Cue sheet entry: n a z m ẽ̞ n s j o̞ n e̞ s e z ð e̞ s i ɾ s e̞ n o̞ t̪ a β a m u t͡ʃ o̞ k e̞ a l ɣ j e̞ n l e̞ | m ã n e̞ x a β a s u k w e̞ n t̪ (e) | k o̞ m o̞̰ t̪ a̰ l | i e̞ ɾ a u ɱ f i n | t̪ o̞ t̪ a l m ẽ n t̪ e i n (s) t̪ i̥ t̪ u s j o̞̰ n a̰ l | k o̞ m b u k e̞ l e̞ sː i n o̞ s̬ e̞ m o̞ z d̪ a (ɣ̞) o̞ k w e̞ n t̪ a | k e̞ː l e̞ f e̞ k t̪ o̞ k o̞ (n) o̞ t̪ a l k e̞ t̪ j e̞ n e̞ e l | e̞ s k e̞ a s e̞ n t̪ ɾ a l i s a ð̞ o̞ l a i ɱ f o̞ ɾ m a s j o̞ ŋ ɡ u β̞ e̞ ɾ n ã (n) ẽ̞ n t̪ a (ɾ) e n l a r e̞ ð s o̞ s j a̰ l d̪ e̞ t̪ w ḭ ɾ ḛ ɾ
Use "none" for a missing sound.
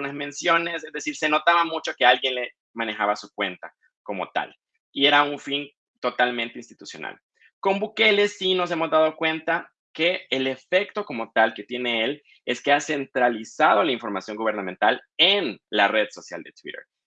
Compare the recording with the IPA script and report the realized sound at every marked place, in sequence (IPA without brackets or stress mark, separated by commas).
a, s, ð̞, m, m, l